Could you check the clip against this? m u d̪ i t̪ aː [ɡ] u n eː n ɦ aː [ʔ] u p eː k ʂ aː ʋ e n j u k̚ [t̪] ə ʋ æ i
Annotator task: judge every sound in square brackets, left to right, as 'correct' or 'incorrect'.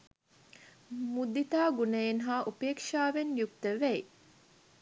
correct, correct, correct

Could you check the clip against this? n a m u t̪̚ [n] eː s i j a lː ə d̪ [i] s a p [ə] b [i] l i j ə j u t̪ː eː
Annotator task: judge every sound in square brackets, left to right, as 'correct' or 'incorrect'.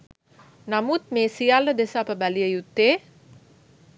incorrect, incorrect, correct, incorrect

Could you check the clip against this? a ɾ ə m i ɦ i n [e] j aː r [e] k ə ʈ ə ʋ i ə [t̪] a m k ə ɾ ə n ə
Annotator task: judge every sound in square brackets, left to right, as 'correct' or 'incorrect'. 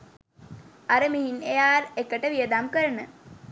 correct, correct, incorrect

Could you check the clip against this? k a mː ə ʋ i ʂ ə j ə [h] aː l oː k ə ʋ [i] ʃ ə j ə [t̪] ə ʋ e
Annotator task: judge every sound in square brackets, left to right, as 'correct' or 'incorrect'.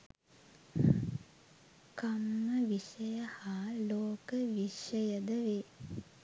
correct, correct, incorrect

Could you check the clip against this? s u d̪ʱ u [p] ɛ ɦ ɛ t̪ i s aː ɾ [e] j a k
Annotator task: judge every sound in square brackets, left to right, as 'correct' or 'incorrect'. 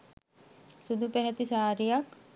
correct, incorrect

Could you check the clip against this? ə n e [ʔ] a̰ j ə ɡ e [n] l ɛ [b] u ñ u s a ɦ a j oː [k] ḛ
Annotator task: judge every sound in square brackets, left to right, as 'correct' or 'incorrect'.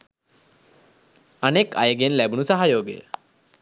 incorrect, correct, correct, incorrect

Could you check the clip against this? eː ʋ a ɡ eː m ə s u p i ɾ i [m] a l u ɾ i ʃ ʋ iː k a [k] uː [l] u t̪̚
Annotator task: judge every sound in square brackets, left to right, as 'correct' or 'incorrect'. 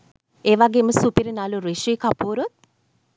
incorrect, incorrect, incorrect

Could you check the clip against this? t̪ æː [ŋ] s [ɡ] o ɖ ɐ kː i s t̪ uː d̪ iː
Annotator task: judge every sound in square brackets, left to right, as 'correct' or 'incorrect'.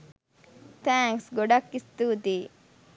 correct, correct

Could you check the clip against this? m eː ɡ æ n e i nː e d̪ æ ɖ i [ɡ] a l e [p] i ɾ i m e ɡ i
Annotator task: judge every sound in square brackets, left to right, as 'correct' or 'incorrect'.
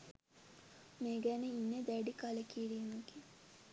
incorrect, incorrect

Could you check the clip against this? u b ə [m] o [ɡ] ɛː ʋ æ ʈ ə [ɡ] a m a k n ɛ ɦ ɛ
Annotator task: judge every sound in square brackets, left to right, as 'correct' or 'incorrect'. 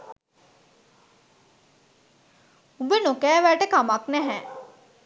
incorrect, incorrect, incorrect

